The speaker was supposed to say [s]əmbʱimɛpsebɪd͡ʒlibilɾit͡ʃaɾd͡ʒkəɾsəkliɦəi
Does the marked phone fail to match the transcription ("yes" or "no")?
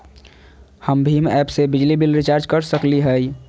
yes